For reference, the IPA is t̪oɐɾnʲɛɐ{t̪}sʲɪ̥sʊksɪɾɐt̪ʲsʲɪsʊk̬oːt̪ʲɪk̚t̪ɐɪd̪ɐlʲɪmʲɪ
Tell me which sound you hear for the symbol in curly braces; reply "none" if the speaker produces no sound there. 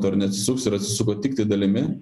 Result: t̪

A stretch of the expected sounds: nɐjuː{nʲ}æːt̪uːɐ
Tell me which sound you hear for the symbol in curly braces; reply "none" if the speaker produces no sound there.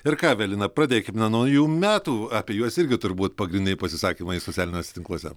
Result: mʲ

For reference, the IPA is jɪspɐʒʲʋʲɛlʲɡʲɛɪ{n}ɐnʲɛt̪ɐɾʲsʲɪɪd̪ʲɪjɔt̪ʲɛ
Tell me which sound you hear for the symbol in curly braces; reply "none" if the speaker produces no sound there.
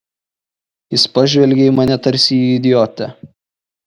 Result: m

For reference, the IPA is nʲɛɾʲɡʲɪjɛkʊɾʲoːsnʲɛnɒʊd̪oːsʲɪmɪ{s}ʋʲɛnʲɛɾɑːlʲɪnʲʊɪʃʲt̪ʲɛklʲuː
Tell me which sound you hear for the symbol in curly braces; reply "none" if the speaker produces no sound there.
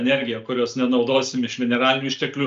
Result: ʃ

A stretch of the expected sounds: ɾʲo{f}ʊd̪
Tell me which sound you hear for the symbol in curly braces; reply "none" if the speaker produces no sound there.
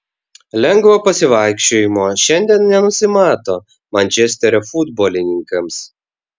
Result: f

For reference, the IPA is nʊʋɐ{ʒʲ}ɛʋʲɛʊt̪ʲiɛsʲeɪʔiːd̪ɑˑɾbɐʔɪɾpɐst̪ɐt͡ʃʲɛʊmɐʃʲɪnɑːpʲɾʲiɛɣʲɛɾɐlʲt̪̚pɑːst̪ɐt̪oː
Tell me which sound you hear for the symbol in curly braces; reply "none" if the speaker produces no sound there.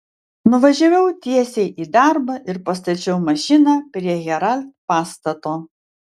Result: ʒʲ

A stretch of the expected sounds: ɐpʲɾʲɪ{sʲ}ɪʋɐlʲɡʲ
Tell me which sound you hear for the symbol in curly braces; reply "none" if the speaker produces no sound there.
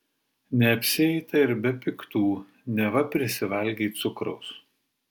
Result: sʲ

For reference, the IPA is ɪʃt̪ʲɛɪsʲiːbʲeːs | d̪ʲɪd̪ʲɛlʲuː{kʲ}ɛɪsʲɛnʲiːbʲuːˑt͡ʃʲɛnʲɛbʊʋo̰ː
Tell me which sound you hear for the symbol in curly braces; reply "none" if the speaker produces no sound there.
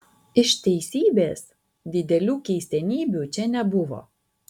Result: kʲ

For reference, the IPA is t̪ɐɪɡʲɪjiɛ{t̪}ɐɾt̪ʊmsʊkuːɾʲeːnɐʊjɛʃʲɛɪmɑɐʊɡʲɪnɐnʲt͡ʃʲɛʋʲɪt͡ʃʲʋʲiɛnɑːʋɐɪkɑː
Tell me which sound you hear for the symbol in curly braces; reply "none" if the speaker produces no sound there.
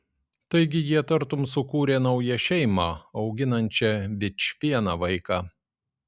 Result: t̪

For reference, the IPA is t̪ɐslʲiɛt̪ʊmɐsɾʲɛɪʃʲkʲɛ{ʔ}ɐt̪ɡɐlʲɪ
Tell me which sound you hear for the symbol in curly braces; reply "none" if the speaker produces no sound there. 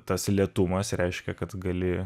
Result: k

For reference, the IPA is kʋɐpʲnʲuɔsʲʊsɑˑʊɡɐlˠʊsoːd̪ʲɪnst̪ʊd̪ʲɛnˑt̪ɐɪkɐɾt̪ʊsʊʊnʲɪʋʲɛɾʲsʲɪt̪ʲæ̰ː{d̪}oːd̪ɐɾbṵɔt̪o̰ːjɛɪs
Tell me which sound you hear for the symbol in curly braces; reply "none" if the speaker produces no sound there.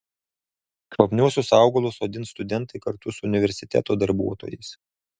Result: t̪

